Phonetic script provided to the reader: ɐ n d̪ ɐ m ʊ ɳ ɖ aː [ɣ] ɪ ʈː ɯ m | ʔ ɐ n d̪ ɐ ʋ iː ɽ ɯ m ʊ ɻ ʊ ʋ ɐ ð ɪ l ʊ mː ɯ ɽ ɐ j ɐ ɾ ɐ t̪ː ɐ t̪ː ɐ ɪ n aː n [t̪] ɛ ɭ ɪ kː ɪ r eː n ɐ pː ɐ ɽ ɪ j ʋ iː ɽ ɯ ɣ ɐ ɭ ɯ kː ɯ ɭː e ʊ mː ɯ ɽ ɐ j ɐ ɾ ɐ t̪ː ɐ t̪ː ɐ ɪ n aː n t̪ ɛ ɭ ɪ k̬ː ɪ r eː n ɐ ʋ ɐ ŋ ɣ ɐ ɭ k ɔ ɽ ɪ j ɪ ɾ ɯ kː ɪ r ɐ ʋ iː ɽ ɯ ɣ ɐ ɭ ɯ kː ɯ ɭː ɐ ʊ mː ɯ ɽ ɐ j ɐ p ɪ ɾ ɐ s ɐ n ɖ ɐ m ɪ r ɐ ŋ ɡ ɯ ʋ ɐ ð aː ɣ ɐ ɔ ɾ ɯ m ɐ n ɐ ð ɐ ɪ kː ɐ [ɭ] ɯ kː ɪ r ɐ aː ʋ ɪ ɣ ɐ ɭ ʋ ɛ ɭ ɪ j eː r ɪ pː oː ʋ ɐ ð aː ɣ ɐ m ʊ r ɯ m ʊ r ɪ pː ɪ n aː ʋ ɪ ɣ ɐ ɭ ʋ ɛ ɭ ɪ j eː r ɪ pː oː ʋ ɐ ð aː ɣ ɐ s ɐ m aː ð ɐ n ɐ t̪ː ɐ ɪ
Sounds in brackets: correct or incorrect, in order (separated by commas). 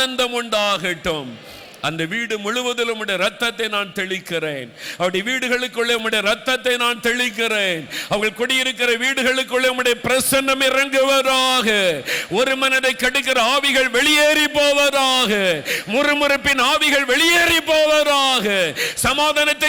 correct, correct, incorrect